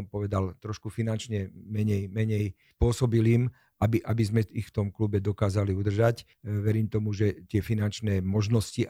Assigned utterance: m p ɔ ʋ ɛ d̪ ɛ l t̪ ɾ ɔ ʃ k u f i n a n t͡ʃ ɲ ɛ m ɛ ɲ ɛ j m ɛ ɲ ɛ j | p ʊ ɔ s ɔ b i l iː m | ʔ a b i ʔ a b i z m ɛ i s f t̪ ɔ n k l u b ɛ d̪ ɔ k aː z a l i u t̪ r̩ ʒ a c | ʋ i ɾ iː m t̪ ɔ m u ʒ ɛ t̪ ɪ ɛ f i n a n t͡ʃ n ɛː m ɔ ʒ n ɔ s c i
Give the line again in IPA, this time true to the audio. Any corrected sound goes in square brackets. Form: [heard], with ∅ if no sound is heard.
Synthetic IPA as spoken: m p ɔ ʋ ɛ d̪ [a] l t̪ ɾ ɔ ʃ k u f i n a n t͡ʃ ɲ ɛ m ɛ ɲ ɛ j m ɛ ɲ ɛ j | p ʊ ɔ s ɔ b i l iː m | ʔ a b i ʔ a b i z m ɛ i [x] f t̪ ɔ [m] k l u b ɛ d̪ ɔ k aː z a l i u [d̪] r̩ ʒ a c | ʋ [ɛ] ɾ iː m t̪ ɔ m u ʒ ɛ t̪ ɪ ɛ f i n a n t͡ʃ n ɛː m ɔ ʒ n ɔ s c i